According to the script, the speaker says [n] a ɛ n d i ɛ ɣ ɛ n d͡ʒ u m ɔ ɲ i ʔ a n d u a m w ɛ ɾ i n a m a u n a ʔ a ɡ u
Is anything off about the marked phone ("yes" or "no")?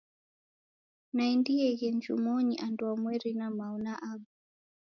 no